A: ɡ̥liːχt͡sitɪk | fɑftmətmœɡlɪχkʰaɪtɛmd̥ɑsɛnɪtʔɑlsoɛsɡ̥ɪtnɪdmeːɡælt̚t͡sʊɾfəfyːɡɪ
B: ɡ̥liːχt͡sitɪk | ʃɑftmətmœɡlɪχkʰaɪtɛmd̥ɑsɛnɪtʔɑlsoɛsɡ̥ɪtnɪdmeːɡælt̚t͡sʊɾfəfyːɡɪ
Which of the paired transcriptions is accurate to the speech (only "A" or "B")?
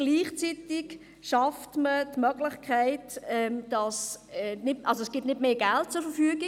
B